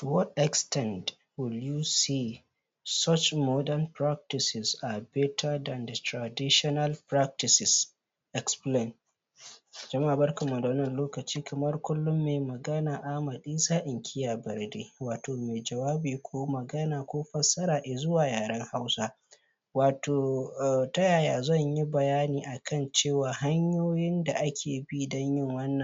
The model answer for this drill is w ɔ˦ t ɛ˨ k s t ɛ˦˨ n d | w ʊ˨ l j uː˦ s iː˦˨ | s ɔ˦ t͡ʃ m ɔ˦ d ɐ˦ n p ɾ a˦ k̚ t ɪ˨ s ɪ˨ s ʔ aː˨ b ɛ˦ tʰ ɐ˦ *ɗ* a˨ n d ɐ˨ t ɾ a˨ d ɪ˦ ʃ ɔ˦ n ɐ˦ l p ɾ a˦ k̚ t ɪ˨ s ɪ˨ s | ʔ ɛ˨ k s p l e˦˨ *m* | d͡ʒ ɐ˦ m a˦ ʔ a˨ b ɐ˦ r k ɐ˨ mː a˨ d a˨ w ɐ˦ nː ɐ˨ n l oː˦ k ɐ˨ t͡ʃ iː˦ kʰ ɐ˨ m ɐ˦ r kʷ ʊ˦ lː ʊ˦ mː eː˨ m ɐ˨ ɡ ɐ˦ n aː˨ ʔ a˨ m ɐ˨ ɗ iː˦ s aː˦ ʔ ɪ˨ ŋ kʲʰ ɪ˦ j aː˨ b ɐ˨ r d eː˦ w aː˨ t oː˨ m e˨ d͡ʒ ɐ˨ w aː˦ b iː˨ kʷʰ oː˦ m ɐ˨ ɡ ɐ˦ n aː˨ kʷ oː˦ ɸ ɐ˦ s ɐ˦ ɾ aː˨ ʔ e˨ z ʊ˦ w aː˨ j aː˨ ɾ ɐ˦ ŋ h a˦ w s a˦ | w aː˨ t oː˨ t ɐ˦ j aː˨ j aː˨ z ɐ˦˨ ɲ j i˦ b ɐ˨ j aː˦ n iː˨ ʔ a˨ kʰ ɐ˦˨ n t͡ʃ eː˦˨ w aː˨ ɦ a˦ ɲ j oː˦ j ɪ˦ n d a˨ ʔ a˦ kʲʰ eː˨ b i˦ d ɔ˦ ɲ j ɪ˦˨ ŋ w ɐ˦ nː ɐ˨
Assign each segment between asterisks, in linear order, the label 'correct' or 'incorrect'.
incorrect: d, incorrect: n

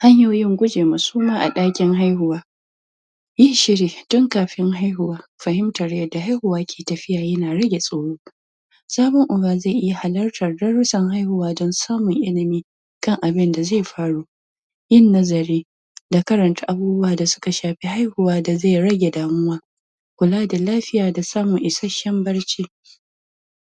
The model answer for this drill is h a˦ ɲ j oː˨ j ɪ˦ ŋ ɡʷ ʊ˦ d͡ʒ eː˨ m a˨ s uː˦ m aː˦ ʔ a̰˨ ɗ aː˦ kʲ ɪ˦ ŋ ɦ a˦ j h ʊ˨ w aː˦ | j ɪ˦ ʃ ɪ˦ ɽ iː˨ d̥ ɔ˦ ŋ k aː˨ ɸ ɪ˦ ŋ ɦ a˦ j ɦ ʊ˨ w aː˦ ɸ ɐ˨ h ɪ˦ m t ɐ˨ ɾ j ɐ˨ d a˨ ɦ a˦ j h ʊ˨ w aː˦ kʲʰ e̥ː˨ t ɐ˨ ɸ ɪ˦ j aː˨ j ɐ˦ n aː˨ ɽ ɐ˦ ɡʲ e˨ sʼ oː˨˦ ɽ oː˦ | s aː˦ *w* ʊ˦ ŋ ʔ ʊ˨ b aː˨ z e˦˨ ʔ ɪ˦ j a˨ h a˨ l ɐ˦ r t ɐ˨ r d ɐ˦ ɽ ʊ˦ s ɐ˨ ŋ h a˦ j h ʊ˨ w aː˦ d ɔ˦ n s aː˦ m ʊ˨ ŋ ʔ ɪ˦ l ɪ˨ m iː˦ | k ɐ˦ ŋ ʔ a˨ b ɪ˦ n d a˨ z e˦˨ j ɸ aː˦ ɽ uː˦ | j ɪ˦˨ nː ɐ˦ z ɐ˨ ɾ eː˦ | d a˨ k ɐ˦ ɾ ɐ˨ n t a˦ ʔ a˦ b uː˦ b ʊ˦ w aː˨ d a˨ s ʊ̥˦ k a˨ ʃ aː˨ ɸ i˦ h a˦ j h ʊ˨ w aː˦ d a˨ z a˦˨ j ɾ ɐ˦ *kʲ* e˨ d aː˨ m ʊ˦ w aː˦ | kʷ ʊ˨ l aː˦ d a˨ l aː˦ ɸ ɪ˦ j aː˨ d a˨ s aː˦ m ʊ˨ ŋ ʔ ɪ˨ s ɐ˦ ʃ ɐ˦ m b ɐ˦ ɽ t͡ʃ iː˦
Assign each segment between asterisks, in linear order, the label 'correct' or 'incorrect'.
incorrect: b, incorrect: ɡʲ

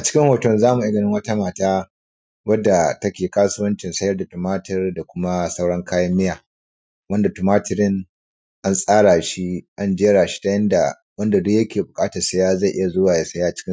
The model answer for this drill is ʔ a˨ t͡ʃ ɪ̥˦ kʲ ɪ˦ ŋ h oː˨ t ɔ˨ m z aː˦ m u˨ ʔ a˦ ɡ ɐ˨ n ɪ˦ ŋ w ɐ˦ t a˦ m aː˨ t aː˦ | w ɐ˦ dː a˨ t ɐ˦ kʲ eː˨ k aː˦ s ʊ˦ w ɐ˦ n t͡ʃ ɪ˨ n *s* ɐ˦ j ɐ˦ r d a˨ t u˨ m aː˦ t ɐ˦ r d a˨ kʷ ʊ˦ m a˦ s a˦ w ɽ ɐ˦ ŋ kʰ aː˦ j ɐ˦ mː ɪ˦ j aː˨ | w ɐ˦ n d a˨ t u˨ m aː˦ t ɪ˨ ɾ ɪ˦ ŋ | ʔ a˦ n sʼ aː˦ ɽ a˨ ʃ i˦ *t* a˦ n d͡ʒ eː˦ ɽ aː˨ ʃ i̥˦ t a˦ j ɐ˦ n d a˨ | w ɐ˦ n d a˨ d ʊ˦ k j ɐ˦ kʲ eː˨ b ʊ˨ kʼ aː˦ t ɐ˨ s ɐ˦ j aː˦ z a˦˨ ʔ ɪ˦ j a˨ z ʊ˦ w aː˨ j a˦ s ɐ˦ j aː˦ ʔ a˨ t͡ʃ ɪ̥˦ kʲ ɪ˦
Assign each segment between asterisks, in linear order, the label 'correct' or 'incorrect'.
correct, incorrect: ʔ

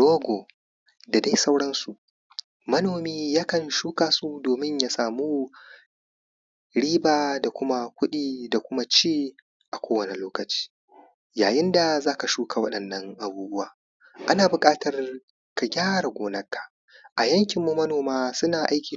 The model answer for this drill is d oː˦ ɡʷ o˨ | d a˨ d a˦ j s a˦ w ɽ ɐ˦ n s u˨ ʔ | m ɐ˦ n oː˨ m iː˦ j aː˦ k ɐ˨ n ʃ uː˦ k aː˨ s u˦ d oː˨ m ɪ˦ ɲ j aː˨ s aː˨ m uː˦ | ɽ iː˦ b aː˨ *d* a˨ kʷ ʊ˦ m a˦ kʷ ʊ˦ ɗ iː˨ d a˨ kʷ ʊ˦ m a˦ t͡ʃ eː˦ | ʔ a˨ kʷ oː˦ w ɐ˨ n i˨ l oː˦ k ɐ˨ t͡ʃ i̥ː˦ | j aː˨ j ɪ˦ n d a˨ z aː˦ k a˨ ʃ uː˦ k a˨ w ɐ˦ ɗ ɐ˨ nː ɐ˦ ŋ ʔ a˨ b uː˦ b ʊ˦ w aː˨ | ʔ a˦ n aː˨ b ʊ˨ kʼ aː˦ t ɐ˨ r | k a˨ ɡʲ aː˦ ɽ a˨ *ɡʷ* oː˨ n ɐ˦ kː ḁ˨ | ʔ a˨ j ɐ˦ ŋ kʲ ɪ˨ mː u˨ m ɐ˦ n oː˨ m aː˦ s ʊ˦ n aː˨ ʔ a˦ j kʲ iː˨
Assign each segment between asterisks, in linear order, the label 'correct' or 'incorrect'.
correct, correct

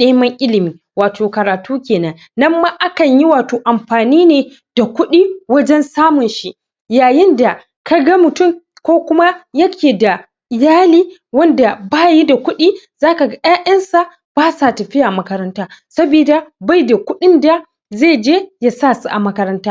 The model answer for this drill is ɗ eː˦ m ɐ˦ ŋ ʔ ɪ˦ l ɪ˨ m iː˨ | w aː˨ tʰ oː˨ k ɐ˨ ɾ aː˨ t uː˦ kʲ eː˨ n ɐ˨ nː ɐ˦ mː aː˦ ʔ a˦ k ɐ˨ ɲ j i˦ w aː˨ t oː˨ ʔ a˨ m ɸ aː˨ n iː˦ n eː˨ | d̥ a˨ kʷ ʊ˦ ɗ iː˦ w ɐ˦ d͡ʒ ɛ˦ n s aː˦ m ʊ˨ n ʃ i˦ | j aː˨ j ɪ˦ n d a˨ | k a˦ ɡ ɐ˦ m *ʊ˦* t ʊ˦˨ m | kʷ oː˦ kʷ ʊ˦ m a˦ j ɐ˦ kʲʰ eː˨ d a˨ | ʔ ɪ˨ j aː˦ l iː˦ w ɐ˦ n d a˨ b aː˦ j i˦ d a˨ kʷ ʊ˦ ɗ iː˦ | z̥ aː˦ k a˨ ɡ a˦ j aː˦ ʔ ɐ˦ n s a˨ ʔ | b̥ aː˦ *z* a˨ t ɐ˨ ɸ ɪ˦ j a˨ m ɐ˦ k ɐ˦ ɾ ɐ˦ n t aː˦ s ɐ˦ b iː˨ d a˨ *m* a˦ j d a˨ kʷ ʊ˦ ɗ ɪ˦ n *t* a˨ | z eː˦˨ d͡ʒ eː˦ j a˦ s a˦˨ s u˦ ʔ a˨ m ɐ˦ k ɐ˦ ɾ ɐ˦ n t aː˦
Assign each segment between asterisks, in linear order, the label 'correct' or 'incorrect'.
incorrect: ʊ˨, incorrect: s, incorrect: b, incorrect: d

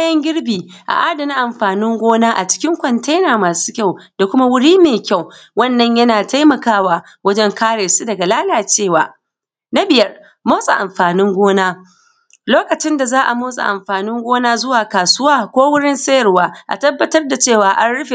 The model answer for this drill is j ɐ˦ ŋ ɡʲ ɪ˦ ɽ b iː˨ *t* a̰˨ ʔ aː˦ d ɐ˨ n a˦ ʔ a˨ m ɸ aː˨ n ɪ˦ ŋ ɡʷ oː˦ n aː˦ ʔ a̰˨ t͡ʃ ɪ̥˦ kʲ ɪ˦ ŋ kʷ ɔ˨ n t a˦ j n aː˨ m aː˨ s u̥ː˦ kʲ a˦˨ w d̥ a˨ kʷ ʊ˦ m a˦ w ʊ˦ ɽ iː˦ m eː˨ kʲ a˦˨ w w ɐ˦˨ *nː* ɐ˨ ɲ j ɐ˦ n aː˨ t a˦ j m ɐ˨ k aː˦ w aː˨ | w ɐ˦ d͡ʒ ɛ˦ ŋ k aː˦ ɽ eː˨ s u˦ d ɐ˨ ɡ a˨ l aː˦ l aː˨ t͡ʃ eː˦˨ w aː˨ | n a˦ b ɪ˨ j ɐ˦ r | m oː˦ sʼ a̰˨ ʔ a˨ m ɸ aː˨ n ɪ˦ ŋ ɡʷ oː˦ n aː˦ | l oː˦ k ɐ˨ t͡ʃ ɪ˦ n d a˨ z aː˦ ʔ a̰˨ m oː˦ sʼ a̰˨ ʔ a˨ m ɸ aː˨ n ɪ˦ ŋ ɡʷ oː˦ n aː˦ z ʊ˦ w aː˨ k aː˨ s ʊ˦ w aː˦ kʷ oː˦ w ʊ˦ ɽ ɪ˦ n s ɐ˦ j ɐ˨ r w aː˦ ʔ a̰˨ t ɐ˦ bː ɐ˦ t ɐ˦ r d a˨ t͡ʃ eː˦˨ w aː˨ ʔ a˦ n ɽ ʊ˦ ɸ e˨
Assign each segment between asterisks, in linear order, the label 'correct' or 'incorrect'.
incorrect: ʔ, correct

